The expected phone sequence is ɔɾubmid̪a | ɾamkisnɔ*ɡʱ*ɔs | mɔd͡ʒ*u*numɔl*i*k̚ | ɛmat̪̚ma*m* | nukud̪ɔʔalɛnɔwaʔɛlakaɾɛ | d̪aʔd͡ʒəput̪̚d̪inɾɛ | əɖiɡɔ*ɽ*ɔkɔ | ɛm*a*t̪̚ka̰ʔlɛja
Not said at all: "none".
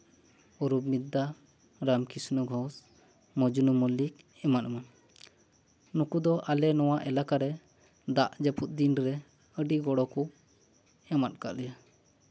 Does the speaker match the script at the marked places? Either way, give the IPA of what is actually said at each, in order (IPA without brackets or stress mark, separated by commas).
ɡʱ, u, i, n, ɽ, a